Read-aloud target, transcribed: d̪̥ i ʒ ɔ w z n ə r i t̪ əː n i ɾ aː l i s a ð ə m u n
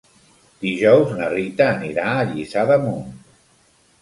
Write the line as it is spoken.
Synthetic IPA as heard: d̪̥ i ʒ ɔ w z n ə r i t̪ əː n i ɾ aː ʎ i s a ð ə m u n

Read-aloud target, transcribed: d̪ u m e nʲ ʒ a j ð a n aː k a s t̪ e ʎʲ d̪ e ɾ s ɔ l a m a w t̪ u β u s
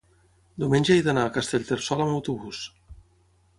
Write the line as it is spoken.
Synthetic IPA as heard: d̪ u m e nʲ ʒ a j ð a n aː k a s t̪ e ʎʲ t̪ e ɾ s ɔ l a m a w t̪ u β u s

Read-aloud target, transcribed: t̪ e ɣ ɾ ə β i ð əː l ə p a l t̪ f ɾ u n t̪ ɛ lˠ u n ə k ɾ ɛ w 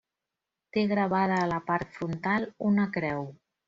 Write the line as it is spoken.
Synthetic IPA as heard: t̪ e ɣ ɾ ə β a ð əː l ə p a ɾ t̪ f ɾ u n t̪ a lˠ u n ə k ɾ ɛ w

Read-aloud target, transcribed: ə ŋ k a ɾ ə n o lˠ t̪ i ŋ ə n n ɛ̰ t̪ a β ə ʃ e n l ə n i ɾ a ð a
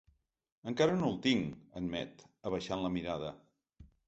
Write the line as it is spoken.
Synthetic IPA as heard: ə ŋ k a ɾ ə n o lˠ t̪ i ŋ ə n m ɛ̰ t̪ ə β ə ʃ a n l ə m i ɾ a ð ə

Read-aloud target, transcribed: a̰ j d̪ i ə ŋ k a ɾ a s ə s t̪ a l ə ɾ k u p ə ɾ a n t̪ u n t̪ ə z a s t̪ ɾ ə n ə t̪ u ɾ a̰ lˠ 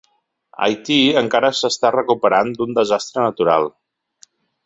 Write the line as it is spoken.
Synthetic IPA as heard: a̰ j t̪ i ə ŋ k a ɾ ə s ə s t̪ a r ə k u p ə ɾ a n d̪ u n d̪ ə z a s t̪ ɾ ə n ə t̪ u ɾ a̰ lˠ

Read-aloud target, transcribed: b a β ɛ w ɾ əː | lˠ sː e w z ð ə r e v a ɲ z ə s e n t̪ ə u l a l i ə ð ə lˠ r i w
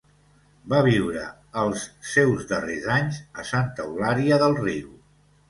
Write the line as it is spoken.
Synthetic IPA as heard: b a β i w ɾ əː | lˠ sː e w z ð ə r e z a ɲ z ə s a n t̪ ə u l a ɾ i ə ð ə lˠ r i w

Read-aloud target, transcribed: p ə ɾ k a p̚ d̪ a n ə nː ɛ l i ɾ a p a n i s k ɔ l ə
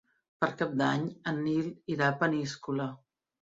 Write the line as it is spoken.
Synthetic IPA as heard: p ə ɾ k a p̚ d̪ a ɲ ə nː i l i ɾ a p ə n i s k u l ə

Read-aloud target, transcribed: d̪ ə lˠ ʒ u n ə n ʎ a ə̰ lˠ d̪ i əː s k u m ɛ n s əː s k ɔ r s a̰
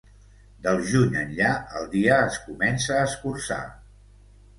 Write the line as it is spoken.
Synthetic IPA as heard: d̪ ə lˠ ʒ u ɲ ə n ʎ a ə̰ lˠ d̪ i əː s k u m ɛ n s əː s k u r s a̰

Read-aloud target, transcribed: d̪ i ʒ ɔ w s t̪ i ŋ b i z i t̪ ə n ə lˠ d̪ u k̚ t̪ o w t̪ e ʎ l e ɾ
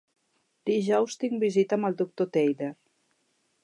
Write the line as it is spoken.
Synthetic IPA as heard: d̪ i ʒ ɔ w s t̪ i ŋ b i z i t̪ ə m ə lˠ d̪ u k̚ t̪ o t̪ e j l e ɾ

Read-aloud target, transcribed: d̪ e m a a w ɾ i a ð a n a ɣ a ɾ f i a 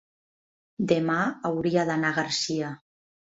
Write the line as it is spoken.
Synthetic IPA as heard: d̪ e m a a w ɾ i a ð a n a ɣ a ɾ s i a

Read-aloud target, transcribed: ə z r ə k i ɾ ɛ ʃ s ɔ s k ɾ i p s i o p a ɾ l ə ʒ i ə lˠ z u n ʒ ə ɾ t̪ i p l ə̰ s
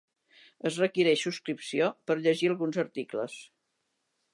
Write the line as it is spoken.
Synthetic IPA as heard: ə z r ə k i ɾ ɛ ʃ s u s k ɾ i p s i o p ə ɾ ʎ ə ʒ i ə lˠ ɣ u n z ə ɾ t̪ i k l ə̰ s

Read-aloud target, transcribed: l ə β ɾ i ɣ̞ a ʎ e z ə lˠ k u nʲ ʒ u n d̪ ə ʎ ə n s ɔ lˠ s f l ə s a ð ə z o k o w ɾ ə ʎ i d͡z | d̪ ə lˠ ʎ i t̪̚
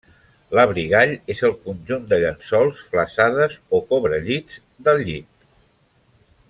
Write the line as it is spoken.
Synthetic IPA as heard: l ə β ɾ i ɣ̞ a ʎ e z ə lˠ k u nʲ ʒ u n d̪ ə ʎ ə n s ɔ lˠ s f l ə s a ð ə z o k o β ɾ ə ʎ i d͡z | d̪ ə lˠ ʎ i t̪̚

